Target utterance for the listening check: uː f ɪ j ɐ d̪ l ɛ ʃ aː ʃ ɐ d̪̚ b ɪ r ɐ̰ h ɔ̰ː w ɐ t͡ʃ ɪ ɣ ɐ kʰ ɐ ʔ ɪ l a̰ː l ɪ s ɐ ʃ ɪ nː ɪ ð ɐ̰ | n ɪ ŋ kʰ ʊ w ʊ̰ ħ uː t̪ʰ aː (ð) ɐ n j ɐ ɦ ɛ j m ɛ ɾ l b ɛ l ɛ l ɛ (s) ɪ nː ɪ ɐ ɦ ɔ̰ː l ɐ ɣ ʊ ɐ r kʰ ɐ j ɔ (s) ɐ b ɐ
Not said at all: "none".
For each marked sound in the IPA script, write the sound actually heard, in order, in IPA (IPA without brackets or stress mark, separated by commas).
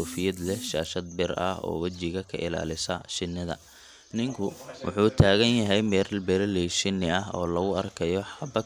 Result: ɣ, ʃ, ħ